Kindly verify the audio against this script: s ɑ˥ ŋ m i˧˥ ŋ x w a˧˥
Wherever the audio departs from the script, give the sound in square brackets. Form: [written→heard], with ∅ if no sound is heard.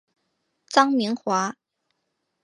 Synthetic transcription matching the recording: [s→t͡s] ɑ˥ ŋ m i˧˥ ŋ x w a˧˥